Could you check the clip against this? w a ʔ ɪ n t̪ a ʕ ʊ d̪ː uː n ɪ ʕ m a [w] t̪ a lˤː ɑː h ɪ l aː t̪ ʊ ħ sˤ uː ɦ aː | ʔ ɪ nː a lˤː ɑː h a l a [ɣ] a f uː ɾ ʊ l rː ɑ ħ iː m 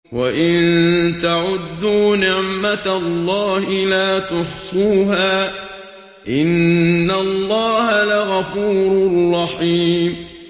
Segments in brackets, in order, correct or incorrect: incorrect: none, correct

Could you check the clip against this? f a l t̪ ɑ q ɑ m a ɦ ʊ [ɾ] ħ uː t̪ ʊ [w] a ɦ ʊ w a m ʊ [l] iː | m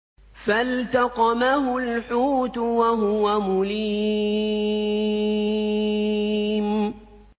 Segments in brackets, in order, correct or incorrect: incorrect: l, correct, correct

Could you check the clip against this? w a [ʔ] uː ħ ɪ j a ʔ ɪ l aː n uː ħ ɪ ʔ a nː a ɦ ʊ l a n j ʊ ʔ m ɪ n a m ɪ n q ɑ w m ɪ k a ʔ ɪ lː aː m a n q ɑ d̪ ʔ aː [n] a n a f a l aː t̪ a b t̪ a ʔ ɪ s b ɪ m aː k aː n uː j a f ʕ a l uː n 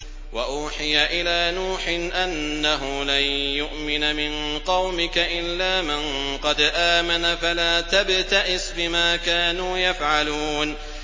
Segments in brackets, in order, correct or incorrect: correct, incorrect: m

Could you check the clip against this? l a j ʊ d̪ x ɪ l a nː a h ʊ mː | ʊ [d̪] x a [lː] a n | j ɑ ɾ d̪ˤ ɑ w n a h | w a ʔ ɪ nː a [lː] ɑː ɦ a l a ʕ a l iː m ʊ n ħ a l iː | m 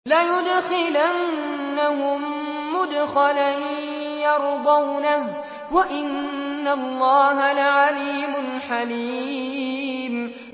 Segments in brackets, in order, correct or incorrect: correct, incorrect: l, correct

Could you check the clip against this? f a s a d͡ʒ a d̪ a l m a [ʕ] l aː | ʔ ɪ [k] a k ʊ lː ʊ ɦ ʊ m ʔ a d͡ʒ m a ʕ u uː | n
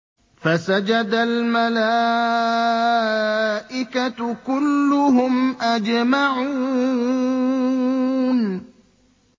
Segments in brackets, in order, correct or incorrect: incorrect: none, correct

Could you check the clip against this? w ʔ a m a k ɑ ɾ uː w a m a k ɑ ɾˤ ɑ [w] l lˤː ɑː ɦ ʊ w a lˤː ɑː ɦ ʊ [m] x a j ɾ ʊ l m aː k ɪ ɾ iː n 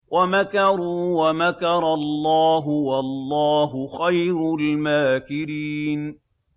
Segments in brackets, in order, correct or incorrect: incorrect: none, incorrect: none

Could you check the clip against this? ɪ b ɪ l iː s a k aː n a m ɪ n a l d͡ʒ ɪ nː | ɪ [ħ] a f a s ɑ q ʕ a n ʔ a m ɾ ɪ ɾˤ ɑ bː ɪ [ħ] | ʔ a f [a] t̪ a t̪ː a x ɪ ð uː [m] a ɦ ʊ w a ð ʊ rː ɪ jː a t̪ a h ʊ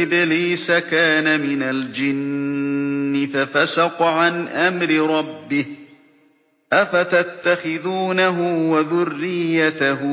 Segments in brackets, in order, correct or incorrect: incorrect: f, incorrect: h, correct, incorrect: n

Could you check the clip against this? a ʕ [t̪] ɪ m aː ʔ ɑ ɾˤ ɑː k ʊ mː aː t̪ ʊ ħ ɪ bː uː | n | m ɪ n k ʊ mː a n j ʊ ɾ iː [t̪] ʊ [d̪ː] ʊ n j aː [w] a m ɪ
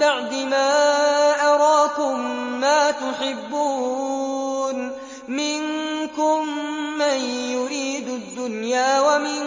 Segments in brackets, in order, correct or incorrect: incorrect: d̪, incorrect: d̪, correct, correct

